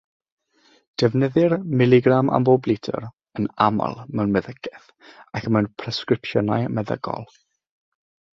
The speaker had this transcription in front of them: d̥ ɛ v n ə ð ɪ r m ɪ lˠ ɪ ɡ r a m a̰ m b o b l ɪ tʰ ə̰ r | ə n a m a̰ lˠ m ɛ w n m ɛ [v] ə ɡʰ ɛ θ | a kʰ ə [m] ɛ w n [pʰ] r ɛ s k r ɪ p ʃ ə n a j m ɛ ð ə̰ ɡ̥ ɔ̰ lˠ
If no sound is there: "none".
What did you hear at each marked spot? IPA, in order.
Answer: ð, m, pʰ

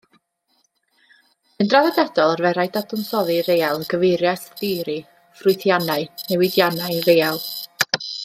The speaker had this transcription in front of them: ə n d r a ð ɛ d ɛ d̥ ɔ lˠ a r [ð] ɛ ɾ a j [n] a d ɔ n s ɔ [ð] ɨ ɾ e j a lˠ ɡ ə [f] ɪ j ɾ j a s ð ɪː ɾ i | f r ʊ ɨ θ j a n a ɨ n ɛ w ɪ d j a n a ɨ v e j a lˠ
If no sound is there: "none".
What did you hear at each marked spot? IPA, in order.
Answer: v, d, ð, v

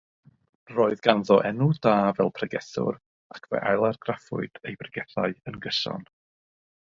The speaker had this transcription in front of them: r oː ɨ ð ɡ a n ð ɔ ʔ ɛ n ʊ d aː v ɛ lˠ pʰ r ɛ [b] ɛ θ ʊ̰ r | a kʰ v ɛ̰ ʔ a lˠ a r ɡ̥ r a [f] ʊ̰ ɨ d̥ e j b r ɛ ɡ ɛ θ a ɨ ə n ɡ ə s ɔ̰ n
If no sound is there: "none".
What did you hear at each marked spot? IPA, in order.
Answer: ɡ, f

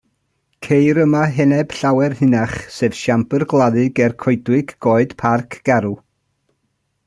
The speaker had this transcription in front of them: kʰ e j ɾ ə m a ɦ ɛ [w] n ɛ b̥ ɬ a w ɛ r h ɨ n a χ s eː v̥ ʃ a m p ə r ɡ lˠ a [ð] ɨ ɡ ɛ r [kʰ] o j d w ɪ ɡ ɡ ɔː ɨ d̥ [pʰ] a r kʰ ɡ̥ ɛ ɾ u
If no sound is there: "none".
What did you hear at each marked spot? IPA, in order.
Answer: none, ð, kʰ, pʰ

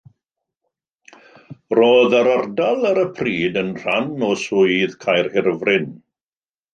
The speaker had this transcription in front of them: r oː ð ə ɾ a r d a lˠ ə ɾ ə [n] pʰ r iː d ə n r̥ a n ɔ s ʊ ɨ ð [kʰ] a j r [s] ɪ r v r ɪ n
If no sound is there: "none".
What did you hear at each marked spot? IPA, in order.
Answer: none, kʰ, h

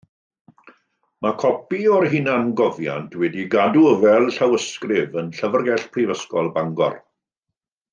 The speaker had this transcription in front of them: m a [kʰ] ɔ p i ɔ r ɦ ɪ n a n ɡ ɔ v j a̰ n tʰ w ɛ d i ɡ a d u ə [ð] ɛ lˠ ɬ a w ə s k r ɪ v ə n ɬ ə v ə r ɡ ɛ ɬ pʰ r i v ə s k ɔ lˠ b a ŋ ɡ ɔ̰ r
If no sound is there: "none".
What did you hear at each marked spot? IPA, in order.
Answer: kʰ, v

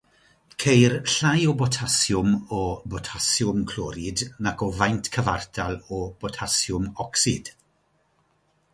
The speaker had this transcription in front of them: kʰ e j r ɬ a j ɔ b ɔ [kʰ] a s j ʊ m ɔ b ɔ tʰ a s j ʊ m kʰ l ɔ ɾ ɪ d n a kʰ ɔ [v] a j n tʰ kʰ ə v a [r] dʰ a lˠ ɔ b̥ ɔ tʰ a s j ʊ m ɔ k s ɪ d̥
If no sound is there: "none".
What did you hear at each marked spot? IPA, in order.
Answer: tʰ, v, r

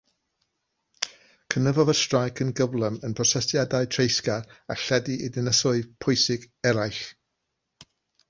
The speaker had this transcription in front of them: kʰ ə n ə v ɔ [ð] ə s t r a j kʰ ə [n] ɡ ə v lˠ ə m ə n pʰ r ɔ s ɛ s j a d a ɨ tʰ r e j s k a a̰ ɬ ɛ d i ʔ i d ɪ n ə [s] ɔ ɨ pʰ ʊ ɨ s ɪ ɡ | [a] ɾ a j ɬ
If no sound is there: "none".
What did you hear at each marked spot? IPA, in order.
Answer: v, n, s, ɛ

